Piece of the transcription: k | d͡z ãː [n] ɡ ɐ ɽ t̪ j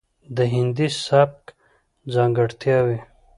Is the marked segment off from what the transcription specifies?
yes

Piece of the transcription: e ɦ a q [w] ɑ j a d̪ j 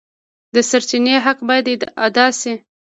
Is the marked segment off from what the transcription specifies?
yes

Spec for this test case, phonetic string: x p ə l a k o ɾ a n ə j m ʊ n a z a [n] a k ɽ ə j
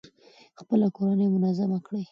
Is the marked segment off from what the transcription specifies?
yes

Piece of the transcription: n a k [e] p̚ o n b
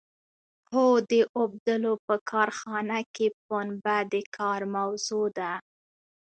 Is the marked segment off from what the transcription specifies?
no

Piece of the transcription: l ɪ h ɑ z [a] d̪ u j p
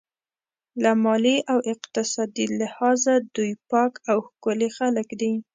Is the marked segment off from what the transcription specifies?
no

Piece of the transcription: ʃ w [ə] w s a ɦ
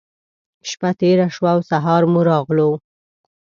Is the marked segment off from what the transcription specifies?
yes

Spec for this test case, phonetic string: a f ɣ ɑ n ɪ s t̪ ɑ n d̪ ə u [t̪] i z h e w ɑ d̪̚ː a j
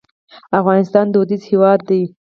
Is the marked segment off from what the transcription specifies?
yes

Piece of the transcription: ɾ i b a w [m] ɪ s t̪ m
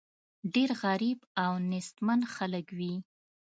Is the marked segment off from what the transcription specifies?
yes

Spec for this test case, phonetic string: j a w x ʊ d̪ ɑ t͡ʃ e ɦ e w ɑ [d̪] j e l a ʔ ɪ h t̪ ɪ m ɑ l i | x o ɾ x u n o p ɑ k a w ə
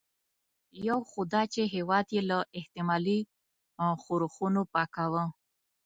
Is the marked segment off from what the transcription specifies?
no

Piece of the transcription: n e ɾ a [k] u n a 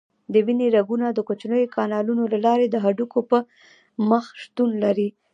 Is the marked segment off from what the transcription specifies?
yes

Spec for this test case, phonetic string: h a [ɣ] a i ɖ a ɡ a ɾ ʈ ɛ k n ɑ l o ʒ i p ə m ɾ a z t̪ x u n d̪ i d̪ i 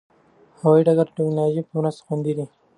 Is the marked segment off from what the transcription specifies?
yes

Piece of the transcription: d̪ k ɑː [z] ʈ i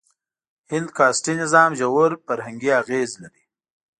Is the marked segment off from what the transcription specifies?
yes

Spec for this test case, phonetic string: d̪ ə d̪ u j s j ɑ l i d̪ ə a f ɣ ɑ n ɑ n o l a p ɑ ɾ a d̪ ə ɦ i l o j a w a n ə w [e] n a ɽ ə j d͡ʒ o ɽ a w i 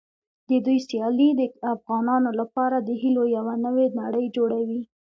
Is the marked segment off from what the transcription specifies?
no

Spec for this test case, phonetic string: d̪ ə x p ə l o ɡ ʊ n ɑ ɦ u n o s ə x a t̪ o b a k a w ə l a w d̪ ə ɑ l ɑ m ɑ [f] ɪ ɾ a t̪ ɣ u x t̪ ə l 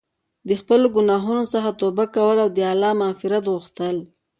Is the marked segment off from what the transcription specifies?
no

